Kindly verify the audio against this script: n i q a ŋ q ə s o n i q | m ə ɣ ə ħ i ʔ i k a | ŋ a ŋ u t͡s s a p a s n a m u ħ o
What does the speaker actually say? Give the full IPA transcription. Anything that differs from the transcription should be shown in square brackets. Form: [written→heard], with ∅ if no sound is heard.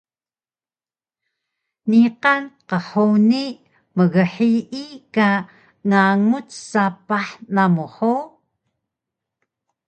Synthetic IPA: n i q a [ŋ→n] q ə [s→ħ] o n i [q→∅] | m ə ɣ ə ħ i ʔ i k a | ŋ a ŋ u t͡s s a p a [s→ħ] n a m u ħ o